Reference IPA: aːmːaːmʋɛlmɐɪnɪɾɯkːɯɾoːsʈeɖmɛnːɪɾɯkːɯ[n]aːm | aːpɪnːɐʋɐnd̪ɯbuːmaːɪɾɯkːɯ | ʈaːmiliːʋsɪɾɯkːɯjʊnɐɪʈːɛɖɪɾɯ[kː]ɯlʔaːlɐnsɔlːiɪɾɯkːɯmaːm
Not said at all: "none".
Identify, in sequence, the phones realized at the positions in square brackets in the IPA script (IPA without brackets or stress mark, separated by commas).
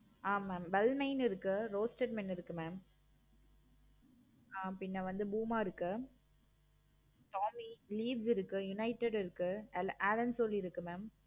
m, kː